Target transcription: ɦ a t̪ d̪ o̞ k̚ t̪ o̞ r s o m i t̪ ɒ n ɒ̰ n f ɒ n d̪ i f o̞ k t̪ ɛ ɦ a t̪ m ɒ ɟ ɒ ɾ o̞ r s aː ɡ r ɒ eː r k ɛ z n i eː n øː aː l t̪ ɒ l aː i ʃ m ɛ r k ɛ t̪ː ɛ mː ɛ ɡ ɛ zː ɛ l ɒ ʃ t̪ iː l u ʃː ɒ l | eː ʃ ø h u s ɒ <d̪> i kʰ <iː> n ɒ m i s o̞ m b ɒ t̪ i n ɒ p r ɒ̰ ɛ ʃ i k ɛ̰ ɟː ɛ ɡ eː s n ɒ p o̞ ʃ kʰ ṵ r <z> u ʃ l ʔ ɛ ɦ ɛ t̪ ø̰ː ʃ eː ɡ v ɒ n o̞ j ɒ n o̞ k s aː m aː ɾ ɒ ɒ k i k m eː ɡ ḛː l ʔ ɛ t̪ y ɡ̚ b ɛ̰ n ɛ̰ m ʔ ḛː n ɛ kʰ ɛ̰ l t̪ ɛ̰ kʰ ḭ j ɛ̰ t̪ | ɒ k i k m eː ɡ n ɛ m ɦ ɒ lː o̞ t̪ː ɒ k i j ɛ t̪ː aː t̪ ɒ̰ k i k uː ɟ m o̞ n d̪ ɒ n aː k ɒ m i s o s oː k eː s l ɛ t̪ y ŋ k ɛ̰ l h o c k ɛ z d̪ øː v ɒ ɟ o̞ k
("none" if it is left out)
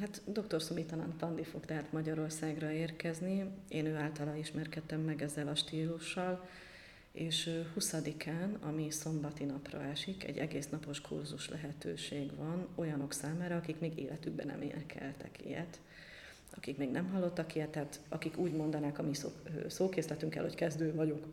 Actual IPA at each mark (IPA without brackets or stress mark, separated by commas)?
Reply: d̪, aː, z